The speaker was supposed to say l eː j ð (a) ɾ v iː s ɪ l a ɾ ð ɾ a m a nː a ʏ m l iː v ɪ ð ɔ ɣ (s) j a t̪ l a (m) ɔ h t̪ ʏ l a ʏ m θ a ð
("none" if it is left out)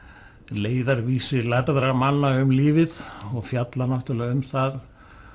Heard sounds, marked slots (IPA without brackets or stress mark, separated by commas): a, f, n